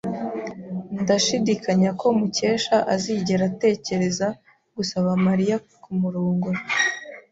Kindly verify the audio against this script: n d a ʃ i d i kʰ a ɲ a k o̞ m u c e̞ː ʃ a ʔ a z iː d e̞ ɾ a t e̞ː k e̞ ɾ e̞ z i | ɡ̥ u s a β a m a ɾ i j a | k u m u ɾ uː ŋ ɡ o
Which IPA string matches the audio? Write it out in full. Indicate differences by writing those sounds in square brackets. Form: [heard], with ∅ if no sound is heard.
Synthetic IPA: n d a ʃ i d i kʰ a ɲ a k o̞ m u c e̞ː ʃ a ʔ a z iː [ɟ] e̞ ɾ a t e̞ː [c] e̞ ɾ e̞ z [a] | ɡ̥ u s a β a m a ɾ i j a | k u m u ɾ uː ŋ ɡ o